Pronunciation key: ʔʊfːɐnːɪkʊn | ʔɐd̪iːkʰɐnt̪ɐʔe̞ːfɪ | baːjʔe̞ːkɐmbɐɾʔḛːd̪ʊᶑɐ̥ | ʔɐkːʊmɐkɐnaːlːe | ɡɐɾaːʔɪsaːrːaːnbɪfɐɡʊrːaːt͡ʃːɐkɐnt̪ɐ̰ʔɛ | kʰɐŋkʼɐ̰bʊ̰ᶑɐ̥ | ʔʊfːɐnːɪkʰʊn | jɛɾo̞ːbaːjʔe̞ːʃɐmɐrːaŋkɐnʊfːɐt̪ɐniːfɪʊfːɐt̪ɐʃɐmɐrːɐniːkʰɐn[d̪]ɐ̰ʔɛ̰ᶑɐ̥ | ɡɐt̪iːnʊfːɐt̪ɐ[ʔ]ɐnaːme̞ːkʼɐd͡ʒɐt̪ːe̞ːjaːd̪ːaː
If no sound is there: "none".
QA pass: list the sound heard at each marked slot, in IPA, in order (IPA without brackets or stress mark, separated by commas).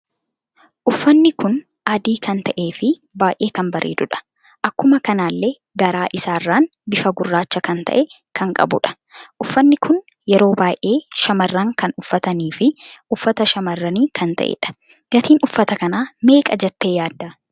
t̪, k